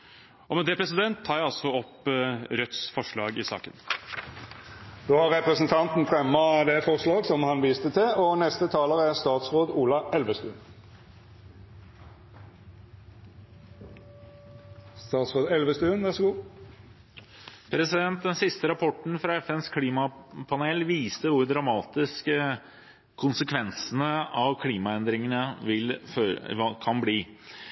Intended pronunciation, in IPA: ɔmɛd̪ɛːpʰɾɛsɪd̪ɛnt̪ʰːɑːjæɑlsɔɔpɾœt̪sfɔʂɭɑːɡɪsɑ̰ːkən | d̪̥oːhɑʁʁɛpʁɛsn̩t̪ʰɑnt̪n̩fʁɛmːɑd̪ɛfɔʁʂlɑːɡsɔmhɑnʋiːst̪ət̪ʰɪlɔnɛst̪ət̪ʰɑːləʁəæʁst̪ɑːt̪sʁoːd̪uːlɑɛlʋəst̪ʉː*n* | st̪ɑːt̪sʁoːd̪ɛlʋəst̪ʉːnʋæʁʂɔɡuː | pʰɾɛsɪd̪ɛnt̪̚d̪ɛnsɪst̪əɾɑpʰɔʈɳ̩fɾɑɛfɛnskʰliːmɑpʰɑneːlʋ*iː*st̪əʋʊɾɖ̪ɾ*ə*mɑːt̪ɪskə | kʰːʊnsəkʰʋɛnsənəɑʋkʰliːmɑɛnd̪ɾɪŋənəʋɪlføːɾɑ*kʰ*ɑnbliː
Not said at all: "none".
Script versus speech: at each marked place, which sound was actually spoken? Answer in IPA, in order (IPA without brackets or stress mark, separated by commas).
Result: n, iː, ɑ, kʰ